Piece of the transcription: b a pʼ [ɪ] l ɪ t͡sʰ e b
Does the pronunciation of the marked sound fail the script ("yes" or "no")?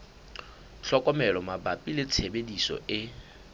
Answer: yes